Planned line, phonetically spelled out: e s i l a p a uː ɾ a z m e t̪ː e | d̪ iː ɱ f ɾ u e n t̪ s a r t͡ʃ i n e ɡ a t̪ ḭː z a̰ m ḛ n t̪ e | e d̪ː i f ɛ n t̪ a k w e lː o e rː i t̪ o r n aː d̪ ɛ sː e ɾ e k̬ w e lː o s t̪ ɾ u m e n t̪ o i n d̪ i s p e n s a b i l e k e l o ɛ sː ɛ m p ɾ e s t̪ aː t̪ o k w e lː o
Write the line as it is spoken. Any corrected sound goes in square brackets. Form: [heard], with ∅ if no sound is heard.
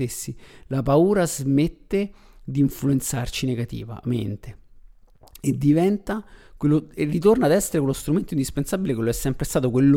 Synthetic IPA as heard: e [sː] i l a p a uː ɾ a z m e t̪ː e | d̪ iː ɱ f [l] u e n t̪ s a r t͡ʃ i n e ɡ a t̪ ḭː [v] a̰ m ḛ n t̪ e | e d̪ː i [v] ɛ n t̪ a k w e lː o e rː i t̪ o r n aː d̪ ɛ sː e ɾ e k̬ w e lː o s t̪ ɾ u m e n t̪ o i n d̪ i s p e n s a b i l e k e l o ɛ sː ɛ m p ɾ e s t̪ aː t̪ o k w e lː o